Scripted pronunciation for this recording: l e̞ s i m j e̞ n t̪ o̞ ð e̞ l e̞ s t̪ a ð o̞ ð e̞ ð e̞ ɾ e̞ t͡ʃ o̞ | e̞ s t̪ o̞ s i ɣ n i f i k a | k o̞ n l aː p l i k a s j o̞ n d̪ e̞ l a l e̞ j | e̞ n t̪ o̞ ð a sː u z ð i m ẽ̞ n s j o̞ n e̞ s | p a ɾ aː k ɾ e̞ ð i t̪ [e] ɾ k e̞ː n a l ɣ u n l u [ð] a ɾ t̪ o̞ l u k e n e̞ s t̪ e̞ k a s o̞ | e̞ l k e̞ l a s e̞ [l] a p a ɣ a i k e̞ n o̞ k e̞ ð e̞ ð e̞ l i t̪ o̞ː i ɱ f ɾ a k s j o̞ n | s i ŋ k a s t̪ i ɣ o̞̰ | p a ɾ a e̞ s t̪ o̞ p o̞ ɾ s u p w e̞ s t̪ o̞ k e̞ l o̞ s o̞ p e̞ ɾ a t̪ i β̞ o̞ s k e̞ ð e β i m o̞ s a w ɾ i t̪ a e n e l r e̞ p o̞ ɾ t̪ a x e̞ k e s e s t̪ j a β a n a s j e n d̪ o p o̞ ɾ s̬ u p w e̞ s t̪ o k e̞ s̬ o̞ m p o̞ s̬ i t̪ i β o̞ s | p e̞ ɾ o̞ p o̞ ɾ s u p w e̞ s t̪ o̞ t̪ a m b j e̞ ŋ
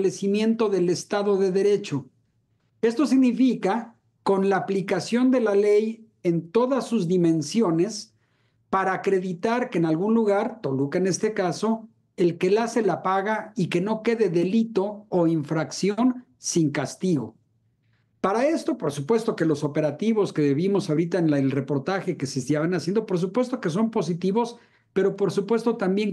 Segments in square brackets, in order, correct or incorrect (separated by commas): incorrect, incorrect, correct